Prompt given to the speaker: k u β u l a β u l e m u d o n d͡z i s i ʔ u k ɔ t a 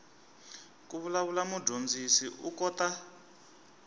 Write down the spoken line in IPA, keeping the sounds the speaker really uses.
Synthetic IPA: k u β u l a β u l a m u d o n d͡z i s i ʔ u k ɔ t a